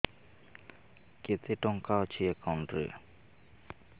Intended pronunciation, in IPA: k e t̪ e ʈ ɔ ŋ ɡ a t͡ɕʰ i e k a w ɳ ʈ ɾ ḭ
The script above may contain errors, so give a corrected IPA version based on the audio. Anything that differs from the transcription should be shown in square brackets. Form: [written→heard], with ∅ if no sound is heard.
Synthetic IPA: k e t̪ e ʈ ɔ ŋ [ɡ→k] a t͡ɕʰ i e k a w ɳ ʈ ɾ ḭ